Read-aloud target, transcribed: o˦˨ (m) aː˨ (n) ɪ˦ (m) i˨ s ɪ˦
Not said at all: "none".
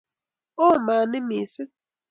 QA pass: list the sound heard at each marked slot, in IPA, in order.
m, n, m

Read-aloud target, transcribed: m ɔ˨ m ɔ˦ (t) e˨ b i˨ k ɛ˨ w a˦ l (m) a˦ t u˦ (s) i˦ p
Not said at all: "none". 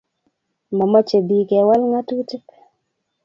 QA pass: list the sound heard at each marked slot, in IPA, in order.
t͡ʃ, ŋ, t

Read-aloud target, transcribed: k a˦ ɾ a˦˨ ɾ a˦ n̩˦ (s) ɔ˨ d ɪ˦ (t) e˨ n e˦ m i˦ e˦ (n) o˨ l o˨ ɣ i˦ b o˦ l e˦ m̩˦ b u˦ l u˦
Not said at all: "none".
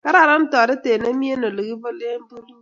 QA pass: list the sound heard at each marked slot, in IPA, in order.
t, t, n

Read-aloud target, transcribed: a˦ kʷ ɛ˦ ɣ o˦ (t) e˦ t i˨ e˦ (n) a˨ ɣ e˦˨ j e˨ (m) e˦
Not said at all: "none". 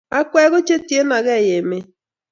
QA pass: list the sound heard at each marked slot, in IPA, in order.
t͡ʃ, n, m

